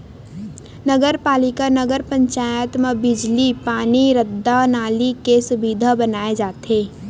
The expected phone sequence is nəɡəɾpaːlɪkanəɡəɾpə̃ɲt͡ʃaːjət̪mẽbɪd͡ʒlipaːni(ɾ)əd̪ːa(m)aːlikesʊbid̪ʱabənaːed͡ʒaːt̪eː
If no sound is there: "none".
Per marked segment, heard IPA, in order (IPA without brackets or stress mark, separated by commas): ɾ, n